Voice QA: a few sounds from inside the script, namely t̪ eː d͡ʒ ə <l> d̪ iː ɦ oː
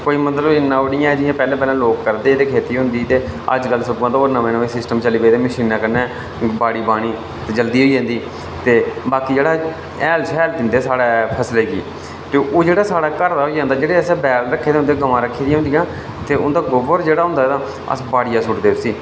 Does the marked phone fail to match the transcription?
no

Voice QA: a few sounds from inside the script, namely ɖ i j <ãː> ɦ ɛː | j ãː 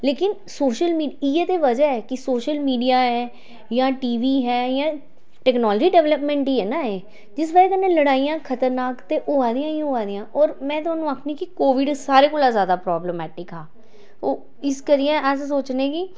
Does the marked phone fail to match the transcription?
yes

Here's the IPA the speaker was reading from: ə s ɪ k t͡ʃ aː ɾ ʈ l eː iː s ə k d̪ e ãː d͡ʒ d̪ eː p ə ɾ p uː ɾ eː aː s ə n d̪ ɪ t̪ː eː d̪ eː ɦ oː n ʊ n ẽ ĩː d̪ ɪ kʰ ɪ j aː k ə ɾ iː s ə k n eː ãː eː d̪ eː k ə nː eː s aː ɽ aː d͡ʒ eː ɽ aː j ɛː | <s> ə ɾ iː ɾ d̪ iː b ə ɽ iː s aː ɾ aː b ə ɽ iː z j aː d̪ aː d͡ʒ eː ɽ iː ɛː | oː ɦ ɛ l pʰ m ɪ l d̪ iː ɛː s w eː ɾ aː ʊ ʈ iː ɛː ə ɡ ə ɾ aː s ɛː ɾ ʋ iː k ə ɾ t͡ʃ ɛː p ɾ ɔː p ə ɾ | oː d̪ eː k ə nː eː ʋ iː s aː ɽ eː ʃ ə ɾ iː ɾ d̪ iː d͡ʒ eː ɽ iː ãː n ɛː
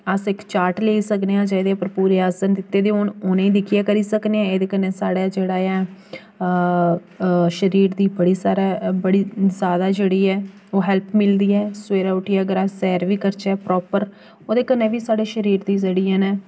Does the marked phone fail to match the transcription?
yes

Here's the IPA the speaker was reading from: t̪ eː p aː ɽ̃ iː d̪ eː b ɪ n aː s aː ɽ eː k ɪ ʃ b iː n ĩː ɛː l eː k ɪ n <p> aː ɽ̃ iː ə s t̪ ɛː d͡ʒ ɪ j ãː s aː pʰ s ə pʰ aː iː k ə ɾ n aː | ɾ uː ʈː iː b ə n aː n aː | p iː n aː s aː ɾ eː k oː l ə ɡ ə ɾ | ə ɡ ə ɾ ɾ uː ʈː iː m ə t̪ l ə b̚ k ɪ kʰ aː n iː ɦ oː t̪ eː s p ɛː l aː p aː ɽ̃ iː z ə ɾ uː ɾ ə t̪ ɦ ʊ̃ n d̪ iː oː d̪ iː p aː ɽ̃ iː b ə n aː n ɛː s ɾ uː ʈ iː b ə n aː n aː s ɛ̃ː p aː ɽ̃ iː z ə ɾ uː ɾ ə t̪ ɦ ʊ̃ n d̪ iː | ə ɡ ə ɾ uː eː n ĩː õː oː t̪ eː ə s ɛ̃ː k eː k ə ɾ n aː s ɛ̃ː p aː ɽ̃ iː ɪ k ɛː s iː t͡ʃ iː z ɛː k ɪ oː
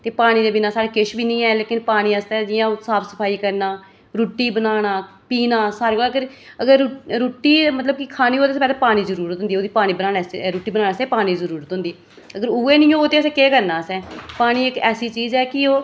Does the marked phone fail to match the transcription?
no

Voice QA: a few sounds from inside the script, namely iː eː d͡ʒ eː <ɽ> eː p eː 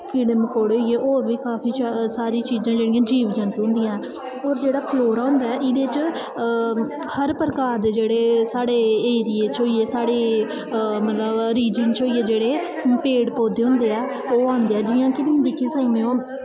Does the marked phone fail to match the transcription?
no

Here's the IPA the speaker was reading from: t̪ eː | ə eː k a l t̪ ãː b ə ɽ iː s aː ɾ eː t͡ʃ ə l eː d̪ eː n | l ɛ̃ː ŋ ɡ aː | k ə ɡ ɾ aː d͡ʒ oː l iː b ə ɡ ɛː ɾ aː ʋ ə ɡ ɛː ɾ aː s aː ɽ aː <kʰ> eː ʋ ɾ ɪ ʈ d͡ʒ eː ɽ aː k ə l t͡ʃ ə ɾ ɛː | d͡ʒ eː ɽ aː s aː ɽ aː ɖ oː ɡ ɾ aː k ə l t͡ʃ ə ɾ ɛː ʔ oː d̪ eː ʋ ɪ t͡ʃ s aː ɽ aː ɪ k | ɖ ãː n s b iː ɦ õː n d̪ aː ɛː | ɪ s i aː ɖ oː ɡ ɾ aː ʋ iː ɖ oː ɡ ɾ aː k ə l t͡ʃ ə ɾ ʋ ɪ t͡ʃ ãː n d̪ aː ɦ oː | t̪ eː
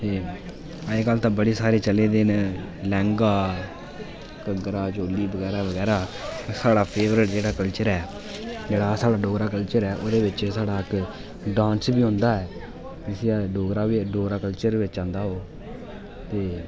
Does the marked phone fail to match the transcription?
yes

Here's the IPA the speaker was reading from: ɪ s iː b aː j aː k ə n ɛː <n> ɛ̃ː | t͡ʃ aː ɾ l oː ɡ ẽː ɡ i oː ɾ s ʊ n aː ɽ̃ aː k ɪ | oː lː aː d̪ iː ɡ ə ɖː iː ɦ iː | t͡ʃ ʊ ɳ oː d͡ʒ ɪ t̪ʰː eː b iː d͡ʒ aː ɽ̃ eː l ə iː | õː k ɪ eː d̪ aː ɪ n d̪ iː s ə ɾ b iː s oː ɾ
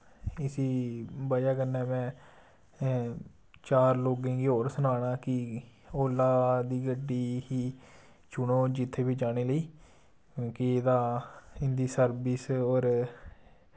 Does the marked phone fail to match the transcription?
yes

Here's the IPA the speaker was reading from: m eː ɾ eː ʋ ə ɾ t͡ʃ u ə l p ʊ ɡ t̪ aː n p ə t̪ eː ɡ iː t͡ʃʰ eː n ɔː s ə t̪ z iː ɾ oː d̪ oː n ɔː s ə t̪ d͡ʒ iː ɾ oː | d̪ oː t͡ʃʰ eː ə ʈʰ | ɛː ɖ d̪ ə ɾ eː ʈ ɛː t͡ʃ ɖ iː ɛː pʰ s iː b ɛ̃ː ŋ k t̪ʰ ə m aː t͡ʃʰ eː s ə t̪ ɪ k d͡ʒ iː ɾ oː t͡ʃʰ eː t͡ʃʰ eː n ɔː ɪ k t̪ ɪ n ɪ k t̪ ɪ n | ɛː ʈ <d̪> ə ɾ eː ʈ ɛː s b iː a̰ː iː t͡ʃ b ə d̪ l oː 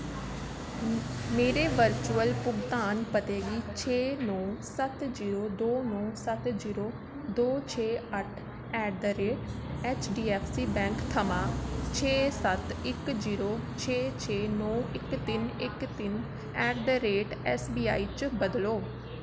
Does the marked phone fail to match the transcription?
no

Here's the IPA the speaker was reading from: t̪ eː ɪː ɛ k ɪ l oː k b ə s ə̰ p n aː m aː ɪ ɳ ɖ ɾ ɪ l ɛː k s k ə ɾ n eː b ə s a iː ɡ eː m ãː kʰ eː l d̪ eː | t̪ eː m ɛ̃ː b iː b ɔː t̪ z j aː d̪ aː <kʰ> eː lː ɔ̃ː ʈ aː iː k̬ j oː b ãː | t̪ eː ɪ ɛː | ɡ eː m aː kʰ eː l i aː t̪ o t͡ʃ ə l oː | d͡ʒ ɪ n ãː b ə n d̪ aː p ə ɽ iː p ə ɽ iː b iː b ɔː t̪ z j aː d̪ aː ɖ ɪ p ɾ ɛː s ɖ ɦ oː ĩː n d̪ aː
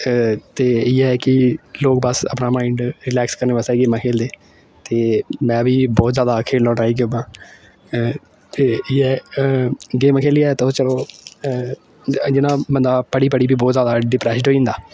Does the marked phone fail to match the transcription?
no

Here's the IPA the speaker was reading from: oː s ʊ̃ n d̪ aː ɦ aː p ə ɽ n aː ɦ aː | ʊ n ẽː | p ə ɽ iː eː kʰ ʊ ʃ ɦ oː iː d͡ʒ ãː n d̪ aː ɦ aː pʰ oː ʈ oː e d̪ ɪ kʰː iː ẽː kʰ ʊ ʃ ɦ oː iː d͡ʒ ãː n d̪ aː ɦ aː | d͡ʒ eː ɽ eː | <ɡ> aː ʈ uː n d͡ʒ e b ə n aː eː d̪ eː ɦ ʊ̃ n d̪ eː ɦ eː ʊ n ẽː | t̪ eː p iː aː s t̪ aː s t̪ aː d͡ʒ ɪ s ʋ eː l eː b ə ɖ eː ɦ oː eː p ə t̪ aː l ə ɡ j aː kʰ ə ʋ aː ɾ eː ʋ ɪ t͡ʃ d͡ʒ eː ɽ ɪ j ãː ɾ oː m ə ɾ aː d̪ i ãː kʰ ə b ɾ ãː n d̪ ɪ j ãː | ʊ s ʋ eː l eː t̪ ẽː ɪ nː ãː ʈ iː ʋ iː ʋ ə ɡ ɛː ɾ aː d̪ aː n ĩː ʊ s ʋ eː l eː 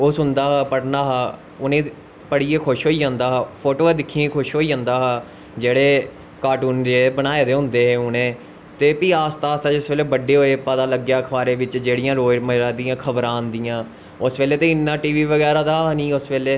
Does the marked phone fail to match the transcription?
yes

